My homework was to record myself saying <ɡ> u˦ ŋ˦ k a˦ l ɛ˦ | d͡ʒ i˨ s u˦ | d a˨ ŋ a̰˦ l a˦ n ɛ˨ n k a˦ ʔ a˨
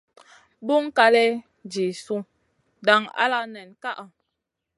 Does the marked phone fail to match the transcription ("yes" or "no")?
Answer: yes